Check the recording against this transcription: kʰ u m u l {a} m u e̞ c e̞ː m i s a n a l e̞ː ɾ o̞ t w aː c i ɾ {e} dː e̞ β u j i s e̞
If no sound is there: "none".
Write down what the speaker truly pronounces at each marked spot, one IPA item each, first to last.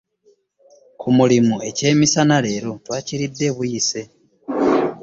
i, i

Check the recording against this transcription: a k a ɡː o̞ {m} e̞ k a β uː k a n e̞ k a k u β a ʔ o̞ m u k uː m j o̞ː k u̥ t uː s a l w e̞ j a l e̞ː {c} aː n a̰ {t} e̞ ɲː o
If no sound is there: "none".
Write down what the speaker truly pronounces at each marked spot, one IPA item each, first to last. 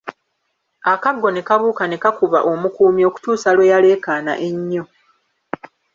n, k, ʔ

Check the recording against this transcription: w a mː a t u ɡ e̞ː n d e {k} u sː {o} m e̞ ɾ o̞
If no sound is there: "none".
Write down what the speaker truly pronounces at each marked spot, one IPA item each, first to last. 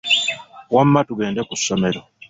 k, o

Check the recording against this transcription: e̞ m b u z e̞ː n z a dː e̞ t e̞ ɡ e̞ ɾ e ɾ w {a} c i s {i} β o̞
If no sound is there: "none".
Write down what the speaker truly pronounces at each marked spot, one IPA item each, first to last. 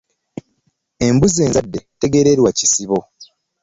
a, i

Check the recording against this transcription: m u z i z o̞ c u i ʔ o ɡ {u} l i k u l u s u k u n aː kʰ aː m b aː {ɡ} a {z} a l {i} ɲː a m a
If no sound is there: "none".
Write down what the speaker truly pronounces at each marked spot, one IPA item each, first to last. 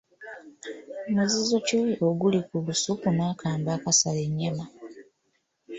u, k, s, e

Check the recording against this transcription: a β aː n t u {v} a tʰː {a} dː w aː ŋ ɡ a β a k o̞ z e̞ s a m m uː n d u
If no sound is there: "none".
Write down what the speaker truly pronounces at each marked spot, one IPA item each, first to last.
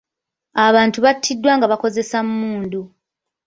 β, i

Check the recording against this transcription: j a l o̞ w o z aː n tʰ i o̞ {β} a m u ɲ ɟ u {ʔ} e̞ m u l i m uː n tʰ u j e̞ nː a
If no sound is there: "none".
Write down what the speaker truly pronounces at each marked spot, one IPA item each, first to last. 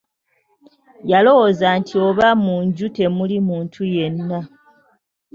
β, t

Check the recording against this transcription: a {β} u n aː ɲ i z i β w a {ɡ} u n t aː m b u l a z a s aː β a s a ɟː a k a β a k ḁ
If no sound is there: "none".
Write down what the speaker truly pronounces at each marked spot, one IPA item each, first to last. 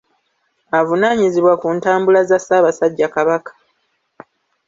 v, k

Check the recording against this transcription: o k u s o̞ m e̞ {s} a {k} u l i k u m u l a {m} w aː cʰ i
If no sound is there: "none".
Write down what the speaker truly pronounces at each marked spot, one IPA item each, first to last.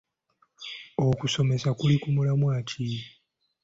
s, k, m

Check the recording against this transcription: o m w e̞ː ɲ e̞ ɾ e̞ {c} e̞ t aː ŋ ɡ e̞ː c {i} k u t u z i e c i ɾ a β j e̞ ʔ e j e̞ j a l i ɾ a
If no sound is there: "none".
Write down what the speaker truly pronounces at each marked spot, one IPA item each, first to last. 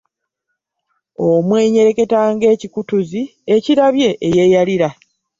k, i

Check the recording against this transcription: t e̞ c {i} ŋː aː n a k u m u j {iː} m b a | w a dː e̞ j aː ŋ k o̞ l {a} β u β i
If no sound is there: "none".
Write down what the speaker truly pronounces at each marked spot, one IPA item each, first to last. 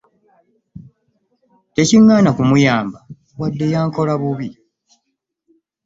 i, aː, a

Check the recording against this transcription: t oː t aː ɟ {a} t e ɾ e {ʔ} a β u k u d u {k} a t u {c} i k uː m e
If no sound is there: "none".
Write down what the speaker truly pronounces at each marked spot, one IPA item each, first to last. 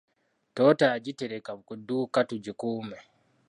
i, k, k, ɟ

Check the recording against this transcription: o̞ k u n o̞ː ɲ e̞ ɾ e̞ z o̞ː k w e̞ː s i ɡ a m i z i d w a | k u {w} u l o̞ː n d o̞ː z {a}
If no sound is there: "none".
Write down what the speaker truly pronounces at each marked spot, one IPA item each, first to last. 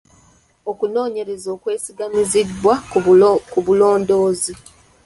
β, i

